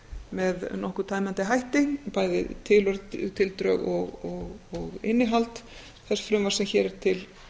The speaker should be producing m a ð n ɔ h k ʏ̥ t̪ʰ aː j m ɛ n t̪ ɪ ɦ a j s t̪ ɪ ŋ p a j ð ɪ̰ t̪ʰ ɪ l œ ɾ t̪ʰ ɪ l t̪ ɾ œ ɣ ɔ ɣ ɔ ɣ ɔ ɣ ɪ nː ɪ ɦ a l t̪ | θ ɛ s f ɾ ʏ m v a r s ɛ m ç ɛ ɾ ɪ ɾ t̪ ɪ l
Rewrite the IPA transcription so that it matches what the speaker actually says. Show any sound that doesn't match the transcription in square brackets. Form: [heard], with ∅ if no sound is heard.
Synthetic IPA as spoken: m [ɛ] ð n ɔ h k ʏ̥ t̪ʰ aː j m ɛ n t̪ ɪ ɦ a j [h] t̪ ɪ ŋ p a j ð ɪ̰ t̪ʰ ɪ l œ ɾ t̪ʰ ɪ l t̪ ɾ œ ɣ ɔ ɣ ɔ ɣ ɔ ɣ ɪ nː ɪ ɦ a l t̪ | θ ɛ s f ɾ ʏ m v a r s ɛ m ç ɛ ɾ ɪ ɾ [t̪ʰ] ɪ l